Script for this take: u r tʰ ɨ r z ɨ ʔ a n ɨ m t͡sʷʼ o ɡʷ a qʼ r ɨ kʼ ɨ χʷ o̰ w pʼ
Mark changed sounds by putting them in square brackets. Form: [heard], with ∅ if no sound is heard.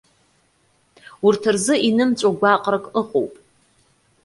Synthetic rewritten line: u r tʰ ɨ r z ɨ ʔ [i] n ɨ m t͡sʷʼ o ɡʷ a qʼ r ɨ kʼ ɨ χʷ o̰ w pʼ